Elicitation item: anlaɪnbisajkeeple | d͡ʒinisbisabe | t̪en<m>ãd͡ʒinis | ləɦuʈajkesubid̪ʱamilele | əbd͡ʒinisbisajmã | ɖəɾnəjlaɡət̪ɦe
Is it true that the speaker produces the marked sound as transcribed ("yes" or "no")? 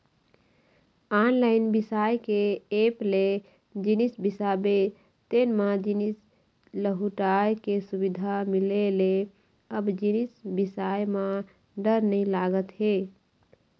yes